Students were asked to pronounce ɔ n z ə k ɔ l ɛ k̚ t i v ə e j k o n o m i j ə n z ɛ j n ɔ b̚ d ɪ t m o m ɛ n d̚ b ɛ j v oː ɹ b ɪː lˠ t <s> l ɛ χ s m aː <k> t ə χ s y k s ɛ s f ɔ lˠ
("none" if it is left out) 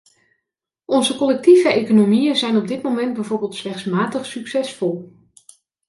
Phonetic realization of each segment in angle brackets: s, none

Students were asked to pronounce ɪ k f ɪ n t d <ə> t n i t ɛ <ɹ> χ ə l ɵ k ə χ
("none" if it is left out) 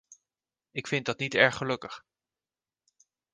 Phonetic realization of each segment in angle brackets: ɑ, ɹ

